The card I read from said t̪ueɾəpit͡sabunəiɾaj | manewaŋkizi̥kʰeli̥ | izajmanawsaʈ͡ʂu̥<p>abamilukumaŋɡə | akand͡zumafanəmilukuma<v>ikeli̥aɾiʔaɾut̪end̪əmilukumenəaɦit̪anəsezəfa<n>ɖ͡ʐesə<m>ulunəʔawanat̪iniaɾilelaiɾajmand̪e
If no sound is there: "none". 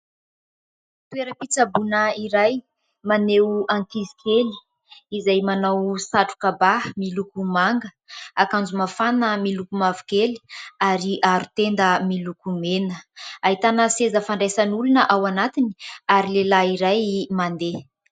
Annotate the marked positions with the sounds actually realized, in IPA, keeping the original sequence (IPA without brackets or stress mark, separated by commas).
k, v, ɳ, n